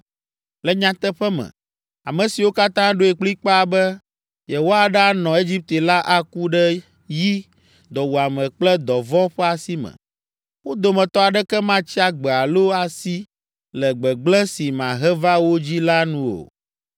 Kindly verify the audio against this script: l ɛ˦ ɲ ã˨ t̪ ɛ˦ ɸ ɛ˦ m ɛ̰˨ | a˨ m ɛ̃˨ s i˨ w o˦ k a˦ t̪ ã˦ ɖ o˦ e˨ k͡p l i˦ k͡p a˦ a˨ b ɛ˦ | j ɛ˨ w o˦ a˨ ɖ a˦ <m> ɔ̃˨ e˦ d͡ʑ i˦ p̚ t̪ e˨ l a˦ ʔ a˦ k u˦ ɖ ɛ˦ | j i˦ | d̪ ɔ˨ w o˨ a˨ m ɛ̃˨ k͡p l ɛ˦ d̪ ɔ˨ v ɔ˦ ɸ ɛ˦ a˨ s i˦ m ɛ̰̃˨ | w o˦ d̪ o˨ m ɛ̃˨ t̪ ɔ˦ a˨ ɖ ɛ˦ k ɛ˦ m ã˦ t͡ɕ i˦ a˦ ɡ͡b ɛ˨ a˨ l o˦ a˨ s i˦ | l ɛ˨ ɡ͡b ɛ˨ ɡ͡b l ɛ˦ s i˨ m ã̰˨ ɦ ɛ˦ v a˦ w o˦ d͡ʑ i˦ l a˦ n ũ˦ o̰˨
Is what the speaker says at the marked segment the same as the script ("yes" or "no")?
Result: no